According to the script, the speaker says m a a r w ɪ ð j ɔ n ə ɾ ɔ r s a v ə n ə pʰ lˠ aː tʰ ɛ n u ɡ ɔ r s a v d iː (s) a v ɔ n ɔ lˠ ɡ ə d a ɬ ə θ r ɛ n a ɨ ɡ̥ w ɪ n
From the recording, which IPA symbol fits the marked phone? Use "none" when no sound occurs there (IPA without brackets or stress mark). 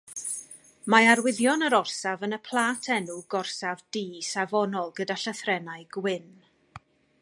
s